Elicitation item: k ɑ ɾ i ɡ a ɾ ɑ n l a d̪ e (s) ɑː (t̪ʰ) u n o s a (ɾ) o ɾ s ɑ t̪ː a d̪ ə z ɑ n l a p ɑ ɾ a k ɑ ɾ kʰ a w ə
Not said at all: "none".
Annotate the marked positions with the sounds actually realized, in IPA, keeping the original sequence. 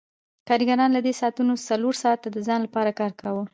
s, t̪, l

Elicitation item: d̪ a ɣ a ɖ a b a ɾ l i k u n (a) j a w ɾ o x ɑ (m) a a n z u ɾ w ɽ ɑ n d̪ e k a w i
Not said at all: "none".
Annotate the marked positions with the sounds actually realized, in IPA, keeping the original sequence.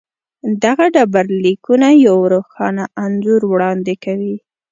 a, n

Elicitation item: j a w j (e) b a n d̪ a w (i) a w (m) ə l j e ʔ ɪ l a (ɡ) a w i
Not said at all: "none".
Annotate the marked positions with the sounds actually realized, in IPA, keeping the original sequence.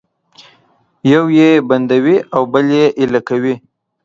e, i, b, k

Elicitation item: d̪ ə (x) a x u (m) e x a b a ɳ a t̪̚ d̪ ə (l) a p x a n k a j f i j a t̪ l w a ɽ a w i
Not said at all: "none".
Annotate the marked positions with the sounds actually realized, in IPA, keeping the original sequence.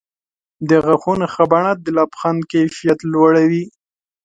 ɣ, n, l

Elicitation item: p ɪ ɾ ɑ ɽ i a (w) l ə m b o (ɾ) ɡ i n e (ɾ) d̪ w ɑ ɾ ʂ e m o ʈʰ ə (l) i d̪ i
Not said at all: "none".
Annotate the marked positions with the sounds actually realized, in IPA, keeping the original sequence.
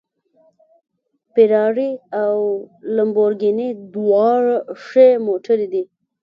w, ɾ, none, ɾ

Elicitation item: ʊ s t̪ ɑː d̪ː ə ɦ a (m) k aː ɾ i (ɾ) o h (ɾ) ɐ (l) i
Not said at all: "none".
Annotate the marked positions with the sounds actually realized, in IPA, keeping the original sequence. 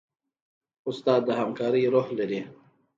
m, ɾ, l, ɾ

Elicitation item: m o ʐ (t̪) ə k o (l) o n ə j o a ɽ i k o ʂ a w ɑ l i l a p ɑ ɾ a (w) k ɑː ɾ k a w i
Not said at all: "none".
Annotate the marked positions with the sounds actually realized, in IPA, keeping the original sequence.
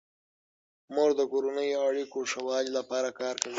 d̪, ɾ, none

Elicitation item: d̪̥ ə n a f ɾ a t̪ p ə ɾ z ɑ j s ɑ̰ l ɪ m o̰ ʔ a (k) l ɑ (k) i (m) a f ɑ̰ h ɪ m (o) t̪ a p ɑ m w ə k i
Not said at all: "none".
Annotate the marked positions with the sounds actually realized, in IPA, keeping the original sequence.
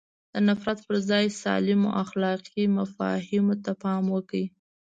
x, q, m, o

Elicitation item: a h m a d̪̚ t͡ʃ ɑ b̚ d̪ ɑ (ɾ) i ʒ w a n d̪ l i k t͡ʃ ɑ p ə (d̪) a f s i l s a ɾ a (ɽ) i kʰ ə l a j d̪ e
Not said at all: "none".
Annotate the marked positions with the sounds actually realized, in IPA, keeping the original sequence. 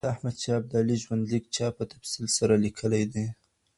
l, t̪, l

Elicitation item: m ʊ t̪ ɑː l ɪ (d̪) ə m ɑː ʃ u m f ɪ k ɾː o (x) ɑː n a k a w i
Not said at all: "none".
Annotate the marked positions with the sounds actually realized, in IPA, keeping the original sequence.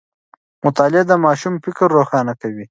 d̪, x

